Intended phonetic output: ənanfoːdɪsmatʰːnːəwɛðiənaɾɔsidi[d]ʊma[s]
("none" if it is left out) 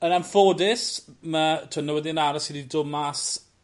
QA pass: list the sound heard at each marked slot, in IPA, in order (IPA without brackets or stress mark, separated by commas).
d, s